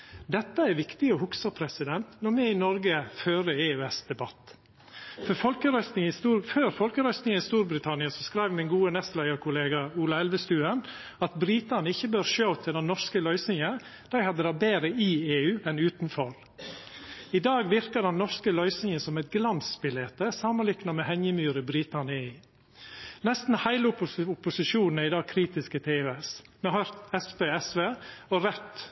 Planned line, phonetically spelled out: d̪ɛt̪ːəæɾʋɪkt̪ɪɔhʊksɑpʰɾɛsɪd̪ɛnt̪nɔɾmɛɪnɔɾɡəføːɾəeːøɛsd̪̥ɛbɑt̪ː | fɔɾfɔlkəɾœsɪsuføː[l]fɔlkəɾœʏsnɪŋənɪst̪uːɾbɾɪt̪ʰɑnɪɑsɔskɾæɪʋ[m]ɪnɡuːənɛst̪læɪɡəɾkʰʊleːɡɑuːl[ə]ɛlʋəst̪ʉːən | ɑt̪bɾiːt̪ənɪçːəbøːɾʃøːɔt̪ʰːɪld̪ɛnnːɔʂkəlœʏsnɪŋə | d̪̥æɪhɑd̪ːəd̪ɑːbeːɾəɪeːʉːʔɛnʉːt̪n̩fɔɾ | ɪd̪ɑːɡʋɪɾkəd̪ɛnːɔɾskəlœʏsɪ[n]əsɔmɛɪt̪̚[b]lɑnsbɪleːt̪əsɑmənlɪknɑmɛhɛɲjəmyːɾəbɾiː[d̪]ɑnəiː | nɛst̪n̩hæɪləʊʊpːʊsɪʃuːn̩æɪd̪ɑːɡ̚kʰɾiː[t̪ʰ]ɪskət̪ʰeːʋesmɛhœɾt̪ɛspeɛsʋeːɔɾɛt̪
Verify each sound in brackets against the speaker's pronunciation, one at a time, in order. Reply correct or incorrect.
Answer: incorrect: ɾ, correct, incorrect: ɑ, incorrect: ŋ, incorrect: ɡ, incorrect: t̪, incorrect: t̪

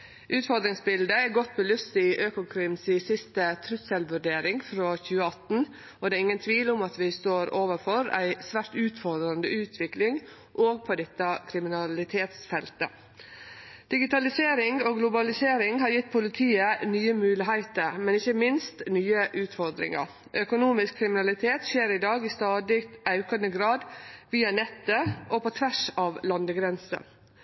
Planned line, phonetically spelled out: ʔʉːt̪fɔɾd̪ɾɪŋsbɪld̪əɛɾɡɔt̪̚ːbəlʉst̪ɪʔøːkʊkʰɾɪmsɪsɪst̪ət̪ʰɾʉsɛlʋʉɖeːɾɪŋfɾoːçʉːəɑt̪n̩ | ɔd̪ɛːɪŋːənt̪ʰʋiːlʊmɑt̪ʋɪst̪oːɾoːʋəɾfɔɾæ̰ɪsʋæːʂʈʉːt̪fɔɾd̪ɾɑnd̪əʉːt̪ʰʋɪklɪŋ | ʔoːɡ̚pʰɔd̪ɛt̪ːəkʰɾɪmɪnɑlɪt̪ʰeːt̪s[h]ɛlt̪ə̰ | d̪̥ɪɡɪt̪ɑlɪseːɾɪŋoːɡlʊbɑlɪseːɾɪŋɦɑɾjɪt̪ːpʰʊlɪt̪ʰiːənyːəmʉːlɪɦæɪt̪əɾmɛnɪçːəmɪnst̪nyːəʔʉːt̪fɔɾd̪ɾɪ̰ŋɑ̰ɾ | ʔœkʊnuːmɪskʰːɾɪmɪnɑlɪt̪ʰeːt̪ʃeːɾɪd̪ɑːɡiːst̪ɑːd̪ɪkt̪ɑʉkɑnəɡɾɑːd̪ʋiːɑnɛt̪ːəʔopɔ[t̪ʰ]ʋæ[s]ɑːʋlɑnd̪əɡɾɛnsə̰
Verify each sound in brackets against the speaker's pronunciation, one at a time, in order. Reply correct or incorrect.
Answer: incorrect: f, correct, incorrect: ʂ

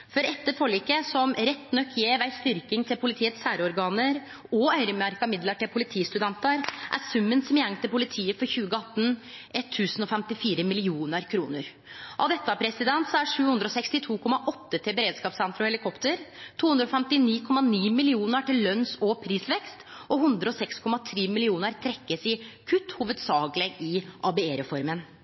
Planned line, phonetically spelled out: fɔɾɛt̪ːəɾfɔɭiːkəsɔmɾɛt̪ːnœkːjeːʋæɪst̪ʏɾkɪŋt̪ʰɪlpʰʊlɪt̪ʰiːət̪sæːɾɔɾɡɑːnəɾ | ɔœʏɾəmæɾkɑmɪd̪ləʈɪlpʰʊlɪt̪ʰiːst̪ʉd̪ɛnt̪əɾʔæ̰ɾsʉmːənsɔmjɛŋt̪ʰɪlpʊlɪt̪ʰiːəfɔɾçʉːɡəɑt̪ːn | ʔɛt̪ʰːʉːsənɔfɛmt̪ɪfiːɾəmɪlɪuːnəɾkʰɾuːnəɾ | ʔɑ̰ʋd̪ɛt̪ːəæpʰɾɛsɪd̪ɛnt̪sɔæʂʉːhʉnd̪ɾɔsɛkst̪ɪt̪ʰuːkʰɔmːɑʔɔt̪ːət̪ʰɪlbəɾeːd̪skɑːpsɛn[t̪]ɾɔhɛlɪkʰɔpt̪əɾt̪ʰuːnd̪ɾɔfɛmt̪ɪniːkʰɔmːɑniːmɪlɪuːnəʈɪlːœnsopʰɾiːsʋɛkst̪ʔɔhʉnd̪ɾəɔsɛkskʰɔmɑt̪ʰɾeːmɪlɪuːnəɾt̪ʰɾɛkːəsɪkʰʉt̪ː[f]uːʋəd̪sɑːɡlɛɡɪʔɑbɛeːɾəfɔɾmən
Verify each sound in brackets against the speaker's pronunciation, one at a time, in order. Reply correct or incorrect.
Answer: correct, incorrect: h

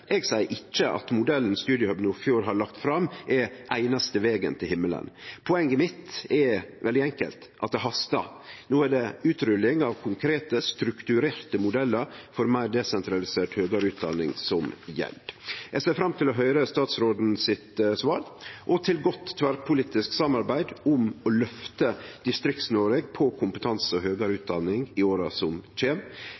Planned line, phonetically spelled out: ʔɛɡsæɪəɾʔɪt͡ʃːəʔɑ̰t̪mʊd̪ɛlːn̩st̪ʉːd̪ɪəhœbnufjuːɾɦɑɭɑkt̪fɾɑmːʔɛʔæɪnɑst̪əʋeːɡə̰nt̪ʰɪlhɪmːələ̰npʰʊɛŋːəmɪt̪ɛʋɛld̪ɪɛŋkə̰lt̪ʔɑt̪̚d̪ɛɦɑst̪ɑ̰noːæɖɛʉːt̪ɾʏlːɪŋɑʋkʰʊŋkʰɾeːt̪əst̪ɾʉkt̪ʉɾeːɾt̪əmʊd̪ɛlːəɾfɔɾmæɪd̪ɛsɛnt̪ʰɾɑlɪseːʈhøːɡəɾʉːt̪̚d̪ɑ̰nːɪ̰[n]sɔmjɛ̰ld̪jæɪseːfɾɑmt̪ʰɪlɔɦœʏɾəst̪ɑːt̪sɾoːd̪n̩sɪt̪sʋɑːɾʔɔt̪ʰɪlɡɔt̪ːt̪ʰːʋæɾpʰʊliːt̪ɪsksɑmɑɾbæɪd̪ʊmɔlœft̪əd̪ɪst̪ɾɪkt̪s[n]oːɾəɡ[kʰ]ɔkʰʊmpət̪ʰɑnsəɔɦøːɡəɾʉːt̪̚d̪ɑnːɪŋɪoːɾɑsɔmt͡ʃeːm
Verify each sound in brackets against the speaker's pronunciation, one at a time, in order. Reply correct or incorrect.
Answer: incorrect: ŋ, correct, incorrect: pʰ

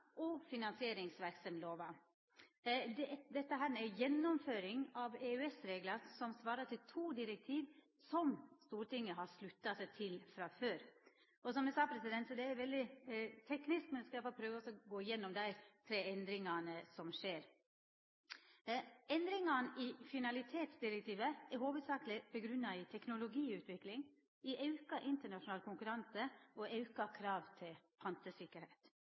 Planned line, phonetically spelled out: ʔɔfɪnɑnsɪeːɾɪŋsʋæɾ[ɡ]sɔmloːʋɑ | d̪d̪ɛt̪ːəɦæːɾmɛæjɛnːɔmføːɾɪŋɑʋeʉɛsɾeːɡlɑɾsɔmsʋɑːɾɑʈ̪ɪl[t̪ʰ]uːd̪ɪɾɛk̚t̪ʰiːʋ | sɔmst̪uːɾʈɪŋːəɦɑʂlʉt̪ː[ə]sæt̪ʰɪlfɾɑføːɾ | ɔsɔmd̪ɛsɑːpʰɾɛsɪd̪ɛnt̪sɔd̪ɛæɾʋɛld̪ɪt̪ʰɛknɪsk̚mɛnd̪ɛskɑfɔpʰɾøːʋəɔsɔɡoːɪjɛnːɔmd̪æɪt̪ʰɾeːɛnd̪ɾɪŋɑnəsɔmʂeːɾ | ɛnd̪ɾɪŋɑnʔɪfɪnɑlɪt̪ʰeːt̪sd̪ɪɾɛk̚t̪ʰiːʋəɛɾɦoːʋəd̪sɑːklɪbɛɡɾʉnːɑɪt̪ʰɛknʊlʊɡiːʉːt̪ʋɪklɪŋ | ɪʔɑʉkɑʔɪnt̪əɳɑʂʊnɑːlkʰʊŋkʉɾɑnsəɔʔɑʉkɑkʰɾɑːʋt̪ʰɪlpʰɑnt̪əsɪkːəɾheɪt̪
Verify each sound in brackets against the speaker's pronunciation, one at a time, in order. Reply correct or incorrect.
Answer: incorrect: k, correct, incorrect: ɑ

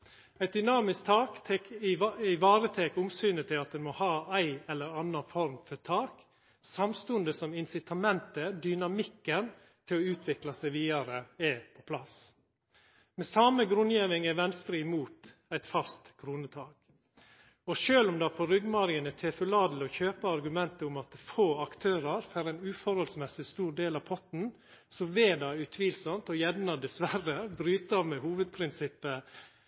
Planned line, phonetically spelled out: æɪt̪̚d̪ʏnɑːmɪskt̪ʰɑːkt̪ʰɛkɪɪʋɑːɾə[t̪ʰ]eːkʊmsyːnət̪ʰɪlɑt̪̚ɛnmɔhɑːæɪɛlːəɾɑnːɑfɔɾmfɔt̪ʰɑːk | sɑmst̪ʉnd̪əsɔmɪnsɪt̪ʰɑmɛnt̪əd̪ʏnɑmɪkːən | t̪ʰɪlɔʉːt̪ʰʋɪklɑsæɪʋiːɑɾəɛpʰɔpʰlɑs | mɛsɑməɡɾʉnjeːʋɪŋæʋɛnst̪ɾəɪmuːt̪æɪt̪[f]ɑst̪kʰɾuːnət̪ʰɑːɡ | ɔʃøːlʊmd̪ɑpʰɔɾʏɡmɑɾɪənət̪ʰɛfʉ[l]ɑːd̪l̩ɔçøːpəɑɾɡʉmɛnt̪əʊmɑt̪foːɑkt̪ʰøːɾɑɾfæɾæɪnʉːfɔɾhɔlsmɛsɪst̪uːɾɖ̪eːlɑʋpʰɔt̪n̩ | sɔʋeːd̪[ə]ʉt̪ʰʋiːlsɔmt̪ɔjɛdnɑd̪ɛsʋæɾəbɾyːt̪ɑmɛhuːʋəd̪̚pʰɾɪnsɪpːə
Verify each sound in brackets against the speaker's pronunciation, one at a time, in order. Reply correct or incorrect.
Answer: correct, correct, correct, incorrect: ɑ

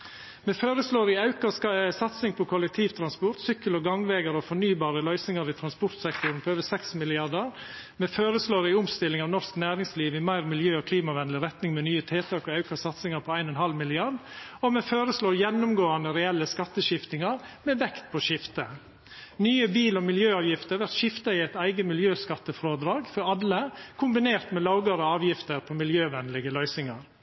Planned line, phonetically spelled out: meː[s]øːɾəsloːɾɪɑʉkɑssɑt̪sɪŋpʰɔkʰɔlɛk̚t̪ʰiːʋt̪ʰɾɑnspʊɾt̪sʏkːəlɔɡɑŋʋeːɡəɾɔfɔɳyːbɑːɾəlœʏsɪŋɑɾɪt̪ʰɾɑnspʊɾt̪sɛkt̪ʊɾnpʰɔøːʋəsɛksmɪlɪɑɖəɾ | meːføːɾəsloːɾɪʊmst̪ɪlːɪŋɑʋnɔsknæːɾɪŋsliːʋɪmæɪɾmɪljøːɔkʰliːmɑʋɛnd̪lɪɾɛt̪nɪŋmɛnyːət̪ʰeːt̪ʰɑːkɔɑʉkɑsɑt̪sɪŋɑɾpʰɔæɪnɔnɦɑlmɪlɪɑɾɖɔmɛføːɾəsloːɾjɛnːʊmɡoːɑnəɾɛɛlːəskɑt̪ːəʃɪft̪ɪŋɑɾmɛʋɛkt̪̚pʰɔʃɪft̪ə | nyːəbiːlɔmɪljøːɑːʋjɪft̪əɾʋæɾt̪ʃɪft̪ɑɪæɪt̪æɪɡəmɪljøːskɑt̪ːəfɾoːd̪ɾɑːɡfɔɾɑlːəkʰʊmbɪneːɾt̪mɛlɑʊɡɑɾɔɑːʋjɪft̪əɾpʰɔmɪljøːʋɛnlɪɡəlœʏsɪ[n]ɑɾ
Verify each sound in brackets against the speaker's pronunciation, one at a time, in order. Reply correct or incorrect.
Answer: incorrect: f, incorrect: ŋ

